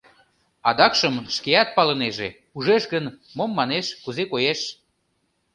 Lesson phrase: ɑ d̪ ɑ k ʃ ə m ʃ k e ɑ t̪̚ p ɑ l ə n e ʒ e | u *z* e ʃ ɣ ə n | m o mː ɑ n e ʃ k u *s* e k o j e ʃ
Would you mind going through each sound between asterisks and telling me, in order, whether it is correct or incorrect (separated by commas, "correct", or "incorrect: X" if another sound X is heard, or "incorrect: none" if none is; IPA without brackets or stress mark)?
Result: incorrect: ʒ, incorrect: z